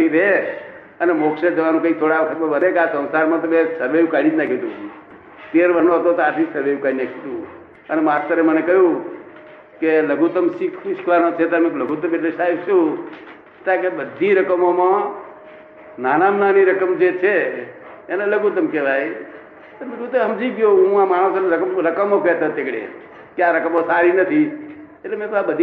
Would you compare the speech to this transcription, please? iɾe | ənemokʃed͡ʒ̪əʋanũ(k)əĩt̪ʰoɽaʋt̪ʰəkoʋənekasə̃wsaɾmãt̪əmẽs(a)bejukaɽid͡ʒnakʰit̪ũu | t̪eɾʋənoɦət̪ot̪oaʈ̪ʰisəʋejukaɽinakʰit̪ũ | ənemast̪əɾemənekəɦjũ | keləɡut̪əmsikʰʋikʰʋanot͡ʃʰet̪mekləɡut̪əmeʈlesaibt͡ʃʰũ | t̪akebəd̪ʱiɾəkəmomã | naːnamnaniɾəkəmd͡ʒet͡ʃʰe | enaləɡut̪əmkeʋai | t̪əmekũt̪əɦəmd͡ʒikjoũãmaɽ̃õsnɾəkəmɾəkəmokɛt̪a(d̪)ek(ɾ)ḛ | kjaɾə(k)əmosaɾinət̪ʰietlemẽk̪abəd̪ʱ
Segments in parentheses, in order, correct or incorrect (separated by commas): correct, incorrect, incorrect, incorrect, correct